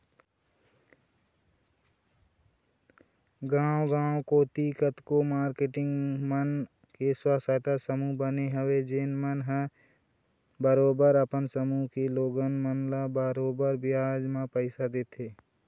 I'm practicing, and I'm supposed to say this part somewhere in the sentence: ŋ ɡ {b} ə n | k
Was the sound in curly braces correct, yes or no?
no